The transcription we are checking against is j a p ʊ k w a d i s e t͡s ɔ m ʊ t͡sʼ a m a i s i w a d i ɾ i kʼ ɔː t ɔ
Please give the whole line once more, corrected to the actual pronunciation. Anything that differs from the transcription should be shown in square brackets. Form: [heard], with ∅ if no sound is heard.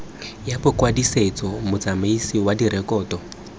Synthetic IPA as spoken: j a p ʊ k w a d i s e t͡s ɔ m ʊ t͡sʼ a m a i s i w a d i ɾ [ɛ] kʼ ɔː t ɔ